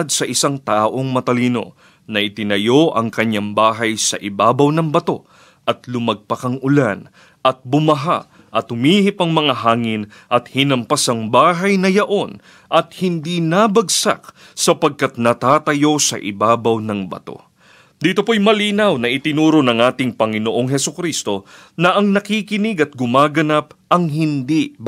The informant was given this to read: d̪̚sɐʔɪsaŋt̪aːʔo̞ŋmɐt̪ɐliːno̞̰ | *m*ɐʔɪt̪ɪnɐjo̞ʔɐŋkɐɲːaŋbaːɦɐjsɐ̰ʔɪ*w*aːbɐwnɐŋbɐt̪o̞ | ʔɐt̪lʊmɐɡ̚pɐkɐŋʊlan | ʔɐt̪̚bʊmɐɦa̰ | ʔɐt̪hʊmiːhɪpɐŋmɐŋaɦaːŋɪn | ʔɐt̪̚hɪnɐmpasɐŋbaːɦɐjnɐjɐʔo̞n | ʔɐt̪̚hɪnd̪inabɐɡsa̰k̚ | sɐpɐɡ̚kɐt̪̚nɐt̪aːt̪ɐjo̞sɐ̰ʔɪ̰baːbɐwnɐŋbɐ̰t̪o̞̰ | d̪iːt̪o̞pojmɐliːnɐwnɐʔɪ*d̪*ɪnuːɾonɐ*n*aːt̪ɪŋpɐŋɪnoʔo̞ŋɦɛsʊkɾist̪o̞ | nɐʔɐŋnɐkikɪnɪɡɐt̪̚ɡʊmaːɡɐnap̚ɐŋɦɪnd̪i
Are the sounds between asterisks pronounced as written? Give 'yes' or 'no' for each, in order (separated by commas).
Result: no, no, no, no